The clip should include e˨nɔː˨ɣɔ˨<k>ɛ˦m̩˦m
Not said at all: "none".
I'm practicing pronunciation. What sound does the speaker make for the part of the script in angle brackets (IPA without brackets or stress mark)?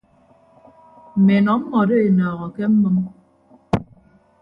k